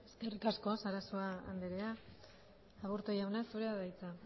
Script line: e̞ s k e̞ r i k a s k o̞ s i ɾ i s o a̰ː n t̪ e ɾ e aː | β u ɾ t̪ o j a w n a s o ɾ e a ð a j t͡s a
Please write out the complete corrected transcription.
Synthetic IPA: e̞ s k e̞ r i k a s k o̞ s a ɾ a s o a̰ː n d̪ e ɾ e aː | β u ɾ t̪ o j a w n a s u ɾ e a ð a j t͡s a